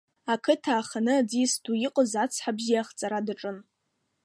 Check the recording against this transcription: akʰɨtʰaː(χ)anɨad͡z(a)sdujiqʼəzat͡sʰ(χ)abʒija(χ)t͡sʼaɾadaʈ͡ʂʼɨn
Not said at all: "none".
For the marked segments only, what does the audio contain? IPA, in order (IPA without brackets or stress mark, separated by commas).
χ, i, ħ, χ